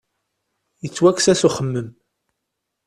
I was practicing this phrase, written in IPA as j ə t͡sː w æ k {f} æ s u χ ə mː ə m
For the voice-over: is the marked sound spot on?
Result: no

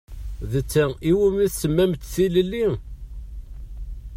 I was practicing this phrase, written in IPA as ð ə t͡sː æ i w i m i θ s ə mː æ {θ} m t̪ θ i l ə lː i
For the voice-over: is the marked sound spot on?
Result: no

